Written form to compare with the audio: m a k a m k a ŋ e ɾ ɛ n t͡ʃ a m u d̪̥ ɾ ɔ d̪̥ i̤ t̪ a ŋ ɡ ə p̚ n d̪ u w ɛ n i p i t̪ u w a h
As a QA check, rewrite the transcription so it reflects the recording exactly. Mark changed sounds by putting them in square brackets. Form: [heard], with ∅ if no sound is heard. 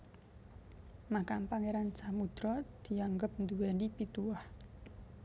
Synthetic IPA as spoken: m a k a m [p] a ŋ e ɾ [a] n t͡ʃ a m u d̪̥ ɾ ɔ d̪̥ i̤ [∅] a ŋ ɡ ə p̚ n d̪ u w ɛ n i p i t̪ u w a h